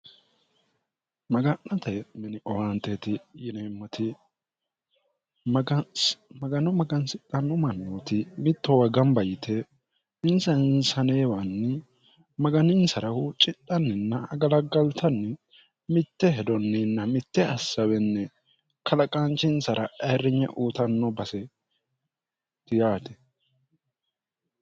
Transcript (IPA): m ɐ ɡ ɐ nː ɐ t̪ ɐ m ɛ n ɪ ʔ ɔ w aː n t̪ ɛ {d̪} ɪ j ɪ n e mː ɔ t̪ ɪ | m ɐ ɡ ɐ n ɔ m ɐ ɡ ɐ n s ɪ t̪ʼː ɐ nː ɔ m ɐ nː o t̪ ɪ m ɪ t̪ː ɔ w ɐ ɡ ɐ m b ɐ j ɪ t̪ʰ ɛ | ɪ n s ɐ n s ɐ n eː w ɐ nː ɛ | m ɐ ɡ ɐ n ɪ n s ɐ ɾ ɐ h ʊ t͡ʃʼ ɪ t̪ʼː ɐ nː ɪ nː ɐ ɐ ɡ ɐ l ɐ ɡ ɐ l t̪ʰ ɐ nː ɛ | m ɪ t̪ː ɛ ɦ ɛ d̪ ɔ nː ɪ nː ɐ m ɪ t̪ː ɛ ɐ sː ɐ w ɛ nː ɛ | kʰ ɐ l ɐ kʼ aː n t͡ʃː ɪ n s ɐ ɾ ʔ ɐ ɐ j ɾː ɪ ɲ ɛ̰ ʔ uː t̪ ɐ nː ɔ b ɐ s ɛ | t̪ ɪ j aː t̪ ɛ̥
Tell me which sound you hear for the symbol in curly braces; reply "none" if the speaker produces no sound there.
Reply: t̪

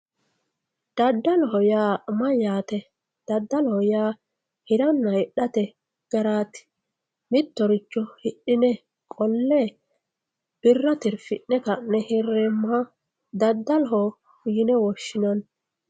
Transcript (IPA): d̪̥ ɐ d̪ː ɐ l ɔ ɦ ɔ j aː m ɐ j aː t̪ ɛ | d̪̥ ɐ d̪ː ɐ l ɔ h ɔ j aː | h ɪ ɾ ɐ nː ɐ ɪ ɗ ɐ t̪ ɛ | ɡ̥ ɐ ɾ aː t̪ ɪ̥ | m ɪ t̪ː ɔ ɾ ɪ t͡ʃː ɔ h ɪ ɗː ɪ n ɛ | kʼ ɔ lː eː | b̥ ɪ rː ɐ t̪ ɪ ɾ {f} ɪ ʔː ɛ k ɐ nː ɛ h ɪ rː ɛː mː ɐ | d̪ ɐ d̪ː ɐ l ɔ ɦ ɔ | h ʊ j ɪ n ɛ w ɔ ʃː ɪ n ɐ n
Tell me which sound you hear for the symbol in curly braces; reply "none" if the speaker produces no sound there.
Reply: f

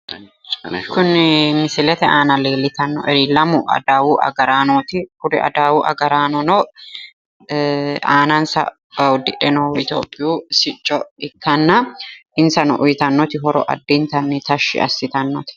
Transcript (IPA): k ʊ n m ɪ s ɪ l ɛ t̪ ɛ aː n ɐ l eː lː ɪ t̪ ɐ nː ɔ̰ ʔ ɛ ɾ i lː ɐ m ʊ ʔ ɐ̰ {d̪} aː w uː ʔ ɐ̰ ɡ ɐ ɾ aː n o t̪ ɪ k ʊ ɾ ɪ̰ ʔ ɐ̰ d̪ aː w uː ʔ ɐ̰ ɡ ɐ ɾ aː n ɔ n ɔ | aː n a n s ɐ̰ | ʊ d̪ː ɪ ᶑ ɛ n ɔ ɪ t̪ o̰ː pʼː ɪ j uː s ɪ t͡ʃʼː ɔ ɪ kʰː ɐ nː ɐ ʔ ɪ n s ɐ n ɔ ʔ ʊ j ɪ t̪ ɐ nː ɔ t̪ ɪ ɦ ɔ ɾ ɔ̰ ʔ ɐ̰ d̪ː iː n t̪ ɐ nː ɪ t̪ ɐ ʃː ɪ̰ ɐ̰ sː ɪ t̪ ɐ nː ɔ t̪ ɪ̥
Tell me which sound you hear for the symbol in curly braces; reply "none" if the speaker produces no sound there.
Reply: d̪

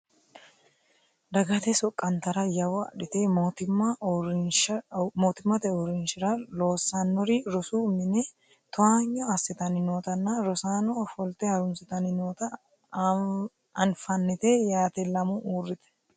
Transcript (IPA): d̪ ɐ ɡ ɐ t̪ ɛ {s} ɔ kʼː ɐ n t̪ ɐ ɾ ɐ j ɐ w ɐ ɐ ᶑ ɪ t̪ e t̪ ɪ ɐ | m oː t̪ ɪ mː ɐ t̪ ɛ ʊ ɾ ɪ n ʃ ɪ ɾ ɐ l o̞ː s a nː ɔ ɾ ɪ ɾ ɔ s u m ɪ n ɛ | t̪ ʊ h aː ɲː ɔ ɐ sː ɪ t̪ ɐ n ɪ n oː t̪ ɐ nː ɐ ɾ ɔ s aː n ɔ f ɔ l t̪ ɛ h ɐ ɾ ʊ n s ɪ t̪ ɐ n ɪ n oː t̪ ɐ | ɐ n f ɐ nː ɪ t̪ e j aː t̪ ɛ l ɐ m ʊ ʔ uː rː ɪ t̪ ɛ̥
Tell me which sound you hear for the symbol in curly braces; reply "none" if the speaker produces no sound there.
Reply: s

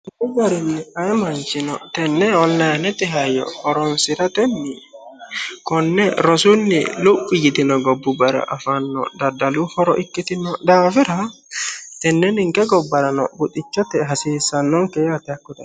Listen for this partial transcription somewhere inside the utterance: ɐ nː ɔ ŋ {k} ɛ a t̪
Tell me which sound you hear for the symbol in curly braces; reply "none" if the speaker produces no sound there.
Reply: k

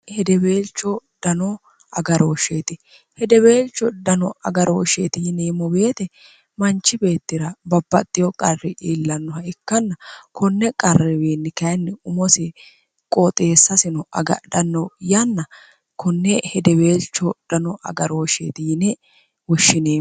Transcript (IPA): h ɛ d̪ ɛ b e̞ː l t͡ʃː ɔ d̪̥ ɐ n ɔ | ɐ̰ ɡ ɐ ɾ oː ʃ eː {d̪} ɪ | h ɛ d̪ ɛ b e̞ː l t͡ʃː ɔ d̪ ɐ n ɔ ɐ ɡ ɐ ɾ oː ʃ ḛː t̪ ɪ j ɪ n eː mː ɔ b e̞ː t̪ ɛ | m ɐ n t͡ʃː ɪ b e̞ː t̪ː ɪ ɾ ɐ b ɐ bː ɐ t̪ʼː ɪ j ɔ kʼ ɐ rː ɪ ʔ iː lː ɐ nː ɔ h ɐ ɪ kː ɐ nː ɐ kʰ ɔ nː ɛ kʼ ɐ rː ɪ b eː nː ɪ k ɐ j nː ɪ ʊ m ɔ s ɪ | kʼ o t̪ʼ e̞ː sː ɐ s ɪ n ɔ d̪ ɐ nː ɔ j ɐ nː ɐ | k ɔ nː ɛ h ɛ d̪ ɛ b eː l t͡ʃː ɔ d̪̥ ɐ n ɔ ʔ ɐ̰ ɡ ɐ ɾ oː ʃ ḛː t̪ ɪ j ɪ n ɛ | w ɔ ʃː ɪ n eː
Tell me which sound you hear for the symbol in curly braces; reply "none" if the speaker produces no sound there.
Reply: t̪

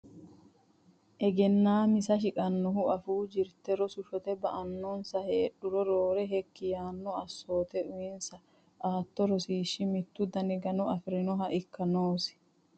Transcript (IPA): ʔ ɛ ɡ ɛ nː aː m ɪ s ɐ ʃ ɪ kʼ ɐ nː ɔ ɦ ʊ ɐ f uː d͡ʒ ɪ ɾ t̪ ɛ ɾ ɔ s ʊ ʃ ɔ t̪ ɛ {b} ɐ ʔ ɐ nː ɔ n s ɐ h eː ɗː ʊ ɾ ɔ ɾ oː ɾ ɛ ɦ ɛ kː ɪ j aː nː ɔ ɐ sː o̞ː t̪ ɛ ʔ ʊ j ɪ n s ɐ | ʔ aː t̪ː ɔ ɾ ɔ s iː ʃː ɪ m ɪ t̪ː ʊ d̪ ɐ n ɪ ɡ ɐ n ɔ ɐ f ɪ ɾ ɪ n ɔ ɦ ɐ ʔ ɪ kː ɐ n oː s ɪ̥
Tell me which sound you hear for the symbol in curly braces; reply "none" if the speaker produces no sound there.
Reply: b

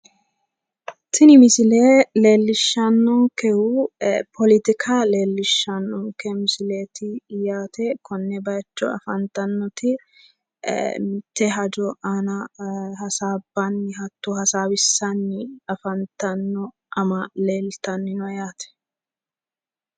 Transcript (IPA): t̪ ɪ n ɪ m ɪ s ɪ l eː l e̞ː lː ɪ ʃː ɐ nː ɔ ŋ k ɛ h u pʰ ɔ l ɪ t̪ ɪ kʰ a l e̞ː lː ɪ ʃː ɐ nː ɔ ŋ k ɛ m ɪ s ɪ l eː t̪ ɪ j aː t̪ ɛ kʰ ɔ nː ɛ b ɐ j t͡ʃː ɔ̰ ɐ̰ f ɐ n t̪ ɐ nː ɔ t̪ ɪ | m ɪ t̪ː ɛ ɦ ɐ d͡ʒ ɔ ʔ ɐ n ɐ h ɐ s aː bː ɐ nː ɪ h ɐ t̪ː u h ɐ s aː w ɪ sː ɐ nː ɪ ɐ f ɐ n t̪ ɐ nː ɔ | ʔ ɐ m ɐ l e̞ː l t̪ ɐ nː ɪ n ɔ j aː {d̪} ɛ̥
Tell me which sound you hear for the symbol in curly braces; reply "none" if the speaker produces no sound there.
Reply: t̪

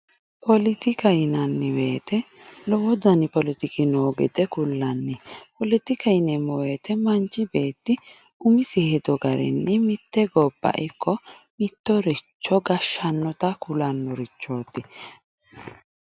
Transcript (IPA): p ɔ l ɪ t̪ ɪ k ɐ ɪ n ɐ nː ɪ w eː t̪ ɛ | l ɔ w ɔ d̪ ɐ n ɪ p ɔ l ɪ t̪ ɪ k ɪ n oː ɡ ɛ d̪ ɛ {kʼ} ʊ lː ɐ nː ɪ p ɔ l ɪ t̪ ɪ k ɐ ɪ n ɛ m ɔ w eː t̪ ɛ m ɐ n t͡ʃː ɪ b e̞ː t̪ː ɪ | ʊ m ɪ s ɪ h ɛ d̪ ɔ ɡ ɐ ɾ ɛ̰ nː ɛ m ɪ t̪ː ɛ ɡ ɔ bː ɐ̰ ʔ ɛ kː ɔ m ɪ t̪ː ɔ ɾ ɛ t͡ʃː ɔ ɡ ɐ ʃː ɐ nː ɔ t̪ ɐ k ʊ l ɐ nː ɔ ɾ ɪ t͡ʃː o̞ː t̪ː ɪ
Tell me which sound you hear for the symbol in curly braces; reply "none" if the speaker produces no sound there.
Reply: k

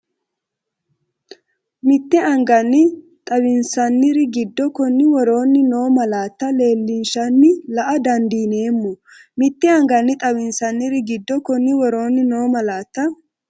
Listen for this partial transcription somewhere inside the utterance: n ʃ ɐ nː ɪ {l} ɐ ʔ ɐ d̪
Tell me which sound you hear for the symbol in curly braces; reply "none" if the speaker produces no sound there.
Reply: l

